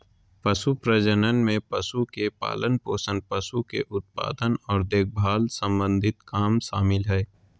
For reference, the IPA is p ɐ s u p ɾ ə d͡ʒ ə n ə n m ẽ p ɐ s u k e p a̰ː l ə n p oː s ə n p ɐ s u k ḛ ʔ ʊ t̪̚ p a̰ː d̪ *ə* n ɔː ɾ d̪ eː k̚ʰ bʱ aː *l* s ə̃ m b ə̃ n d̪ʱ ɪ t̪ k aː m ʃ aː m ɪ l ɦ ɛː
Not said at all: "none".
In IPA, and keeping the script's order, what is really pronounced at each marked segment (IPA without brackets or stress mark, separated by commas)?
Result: ə, l